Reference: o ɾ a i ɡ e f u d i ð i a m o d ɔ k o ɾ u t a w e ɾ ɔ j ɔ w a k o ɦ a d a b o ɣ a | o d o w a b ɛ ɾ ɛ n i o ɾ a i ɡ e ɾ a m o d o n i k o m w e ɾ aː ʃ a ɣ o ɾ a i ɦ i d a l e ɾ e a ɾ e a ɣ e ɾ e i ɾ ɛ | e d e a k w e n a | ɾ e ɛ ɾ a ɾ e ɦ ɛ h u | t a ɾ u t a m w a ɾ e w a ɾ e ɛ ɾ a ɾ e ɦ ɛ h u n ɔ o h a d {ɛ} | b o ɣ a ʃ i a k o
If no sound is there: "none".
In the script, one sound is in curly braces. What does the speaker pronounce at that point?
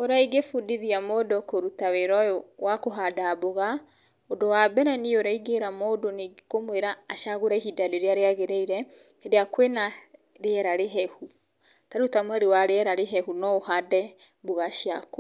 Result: ɛ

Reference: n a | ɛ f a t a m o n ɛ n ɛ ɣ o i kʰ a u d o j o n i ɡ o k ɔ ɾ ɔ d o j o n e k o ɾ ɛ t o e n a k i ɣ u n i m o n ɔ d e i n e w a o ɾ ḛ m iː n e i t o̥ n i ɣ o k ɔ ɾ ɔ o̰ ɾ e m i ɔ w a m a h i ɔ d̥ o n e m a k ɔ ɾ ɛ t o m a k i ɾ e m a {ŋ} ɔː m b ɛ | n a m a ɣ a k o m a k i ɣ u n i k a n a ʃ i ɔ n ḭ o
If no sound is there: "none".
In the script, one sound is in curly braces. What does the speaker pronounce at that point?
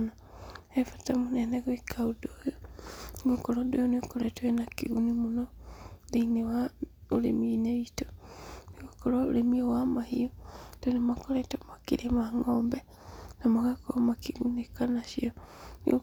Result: ŋ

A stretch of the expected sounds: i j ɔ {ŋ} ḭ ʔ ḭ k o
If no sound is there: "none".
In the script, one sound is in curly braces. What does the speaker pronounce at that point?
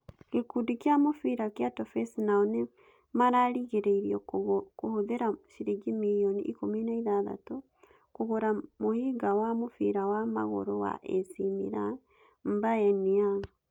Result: n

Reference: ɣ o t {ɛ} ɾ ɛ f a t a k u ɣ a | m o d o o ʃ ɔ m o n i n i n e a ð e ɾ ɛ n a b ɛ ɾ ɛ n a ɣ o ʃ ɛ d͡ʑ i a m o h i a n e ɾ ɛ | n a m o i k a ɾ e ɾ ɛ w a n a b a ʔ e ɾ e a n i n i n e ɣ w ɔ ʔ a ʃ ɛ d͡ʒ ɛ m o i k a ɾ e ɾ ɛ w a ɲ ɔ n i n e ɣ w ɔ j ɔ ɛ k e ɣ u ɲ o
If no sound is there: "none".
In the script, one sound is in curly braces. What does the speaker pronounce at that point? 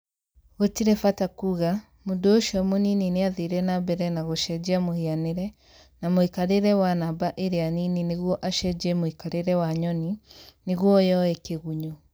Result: i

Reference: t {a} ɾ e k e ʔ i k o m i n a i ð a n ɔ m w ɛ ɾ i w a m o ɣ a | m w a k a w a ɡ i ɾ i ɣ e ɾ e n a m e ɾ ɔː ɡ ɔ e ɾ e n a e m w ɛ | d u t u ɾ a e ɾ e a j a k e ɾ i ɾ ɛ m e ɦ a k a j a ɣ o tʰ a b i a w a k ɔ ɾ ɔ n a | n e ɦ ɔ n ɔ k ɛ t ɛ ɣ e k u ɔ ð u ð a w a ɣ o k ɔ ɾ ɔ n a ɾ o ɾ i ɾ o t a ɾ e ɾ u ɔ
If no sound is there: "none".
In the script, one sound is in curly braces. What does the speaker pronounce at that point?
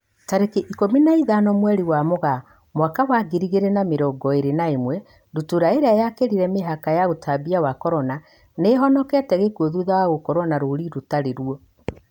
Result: a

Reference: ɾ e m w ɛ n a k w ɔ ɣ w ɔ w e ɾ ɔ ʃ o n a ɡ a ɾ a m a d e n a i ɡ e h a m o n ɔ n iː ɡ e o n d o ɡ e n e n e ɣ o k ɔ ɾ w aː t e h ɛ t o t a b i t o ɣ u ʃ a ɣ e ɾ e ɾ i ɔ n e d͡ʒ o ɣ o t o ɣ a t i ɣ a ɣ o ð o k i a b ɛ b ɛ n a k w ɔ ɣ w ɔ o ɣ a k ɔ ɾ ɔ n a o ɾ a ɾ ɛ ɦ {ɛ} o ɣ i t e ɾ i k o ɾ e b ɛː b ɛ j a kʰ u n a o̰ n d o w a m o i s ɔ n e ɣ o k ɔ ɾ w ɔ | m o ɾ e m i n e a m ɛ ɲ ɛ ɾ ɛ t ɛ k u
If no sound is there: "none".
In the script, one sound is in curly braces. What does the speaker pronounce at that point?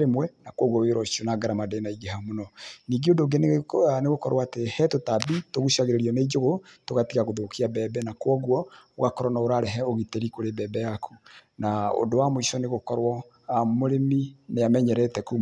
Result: ɛ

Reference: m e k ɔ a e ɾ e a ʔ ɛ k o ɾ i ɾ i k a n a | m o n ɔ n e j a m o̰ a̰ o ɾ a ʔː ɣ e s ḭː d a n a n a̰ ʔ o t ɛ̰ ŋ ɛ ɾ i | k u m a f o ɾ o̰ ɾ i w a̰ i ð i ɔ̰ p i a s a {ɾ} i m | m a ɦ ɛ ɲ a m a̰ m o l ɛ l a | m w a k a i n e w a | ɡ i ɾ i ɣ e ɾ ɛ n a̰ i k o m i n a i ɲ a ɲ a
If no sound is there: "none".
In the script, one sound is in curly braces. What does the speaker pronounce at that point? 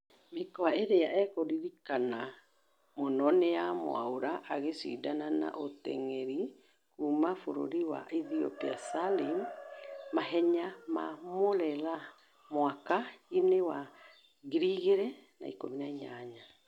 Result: l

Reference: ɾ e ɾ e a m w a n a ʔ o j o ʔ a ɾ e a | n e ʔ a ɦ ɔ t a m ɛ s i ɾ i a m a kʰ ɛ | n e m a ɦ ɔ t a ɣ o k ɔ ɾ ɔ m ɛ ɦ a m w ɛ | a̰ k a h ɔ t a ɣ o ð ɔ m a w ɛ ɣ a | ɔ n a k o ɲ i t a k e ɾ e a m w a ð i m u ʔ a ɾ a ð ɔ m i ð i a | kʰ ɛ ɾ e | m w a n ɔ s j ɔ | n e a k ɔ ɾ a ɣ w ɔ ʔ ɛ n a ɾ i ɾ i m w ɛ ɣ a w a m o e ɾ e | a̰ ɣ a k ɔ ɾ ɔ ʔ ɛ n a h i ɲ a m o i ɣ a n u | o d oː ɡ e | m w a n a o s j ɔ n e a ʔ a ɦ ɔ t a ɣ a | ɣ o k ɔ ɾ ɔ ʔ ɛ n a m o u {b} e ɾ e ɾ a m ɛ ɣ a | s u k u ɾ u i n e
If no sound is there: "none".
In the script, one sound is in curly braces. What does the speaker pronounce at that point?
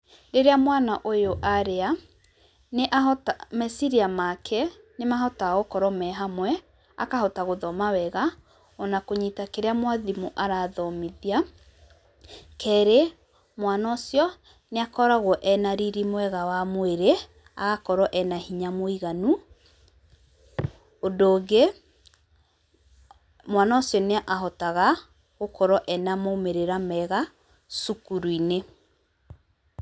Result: m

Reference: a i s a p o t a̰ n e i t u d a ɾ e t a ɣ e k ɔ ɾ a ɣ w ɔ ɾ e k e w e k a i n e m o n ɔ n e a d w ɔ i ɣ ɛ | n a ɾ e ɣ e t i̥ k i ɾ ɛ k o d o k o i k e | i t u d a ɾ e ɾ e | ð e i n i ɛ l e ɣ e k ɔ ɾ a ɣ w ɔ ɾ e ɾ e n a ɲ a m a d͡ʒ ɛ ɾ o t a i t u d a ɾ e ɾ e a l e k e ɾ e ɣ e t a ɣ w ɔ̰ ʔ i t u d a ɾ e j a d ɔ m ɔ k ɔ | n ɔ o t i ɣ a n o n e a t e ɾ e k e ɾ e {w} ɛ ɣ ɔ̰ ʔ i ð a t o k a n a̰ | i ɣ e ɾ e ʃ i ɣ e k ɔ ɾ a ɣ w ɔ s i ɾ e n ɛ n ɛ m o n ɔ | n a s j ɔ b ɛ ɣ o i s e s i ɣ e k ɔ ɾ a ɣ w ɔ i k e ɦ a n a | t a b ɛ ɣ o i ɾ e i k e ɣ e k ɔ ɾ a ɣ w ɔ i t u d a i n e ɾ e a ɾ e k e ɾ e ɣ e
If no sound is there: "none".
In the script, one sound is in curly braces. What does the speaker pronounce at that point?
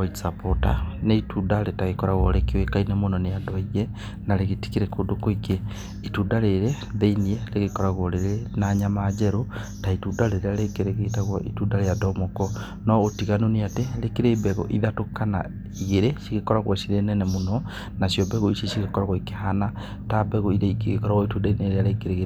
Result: b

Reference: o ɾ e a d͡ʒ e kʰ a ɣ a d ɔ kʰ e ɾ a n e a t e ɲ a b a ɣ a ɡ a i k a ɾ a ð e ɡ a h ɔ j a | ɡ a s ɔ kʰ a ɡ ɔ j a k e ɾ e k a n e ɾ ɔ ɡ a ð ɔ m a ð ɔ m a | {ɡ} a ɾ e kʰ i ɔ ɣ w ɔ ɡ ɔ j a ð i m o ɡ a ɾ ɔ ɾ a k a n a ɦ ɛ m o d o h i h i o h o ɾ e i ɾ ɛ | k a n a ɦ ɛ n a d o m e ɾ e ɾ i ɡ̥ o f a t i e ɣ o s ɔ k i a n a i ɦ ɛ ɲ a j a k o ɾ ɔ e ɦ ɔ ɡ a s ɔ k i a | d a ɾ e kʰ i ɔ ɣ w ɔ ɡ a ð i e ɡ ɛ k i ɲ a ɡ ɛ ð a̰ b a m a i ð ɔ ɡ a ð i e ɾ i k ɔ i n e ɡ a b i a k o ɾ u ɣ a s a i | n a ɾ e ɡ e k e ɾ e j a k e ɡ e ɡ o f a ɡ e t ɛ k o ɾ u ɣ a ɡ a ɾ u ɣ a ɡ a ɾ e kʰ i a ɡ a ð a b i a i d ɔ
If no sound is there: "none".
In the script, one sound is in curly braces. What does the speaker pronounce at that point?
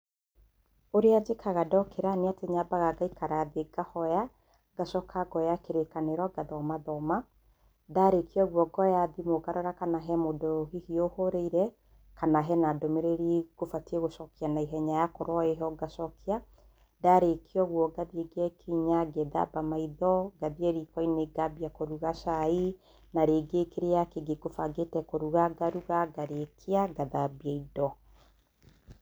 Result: d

